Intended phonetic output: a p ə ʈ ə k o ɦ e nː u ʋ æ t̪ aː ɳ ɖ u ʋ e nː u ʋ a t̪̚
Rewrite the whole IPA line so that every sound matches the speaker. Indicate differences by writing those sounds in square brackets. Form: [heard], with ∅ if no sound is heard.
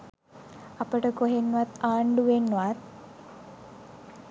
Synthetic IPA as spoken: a p ə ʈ ə k o ɦ e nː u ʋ [a] t̪ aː ɳ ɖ u ʋ e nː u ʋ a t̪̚